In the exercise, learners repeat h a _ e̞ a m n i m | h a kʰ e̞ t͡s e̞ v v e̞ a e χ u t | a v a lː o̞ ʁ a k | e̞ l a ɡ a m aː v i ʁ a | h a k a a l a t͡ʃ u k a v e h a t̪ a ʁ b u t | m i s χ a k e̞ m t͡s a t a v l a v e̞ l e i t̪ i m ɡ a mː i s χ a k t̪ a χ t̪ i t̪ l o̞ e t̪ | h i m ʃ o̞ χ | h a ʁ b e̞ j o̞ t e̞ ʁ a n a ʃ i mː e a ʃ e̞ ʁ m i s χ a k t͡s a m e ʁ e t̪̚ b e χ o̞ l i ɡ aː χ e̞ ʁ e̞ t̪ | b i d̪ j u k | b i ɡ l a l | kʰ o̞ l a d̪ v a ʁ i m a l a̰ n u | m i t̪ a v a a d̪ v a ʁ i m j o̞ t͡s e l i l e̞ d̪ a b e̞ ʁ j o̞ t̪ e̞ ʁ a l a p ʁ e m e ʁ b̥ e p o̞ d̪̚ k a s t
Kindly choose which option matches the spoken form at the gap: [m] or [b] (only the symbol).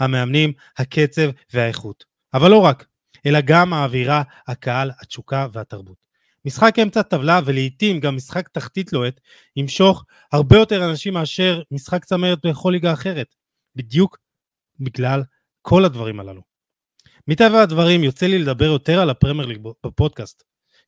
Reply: m